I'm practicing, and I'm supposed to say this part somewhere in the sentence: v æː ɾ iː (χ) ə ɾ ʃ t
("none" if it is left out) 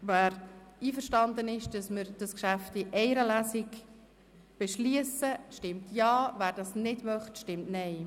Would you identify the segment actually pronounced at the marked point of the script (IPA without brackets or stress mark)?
f